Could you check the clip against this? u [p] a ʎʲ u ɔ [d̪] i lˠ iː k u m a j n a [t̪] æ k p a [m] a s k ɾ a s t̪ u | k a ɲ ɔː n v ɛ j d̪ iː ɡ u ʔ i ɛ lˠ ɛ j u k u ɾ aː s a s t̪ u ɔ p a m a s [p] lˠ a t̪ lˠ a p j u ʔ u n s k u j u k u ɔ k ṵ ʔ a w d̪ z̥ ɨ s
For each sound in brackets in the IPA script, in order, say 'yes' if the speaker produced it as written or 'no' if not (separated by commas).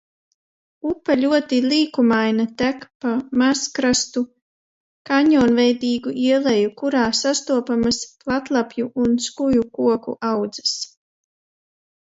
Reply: yes, no, yes, yes, yes